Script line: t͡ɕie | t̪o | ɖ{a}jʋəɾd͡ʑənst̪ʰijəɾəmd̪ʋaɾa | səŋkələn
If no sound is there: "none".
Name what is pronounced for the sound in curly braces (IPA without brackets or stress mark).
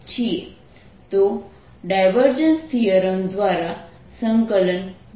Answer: a